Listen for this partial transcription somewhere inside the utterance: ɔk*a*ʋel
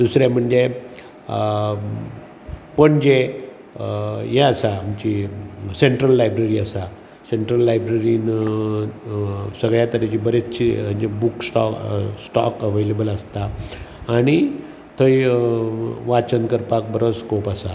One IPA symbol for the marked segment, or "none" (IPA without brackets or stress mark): ə